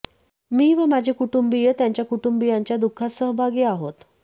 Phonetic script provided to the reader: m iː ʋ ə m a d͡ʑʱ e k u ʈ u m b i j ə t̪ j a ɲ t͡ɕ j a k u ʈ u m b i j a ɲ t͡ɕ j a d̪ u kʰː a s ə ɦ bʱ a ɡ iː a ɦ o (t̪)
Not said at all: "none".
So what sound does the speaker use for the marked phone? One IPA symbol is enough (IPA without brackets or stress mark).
t̪